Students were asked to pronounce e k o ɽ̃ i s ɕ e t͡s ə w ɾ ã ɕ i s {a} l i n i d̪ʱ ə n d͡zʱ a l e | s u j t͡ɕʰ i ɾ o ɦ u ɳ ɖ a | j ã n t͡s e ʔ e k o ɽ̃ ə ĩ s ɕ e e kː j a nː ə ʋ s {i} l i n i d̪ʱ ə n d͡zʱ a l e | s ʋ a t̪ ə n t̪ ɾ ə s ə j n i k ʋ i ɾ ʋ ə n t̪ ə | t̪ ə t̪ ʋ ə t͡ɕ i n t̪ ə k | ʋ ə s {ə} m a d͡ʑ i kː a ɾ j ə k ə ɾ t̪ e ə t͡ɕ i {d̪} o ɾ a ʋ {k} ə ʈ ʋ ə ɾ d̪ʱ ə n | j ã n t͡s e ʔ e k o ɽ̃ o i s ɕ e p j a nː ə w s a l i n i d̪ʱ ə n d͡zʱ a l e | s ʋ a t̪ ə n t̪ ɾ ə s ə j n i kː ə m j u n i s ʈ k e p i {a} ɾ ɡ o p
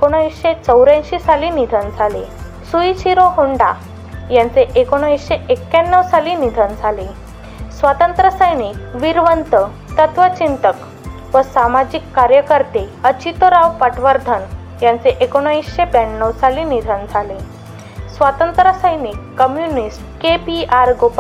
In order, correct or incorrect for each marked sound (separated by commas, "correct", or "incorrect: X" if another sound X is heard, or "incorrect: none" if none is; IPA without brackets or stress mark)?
correct, incorrect: a, incorrect: a, incorrect: t̪, incorrect: p, correct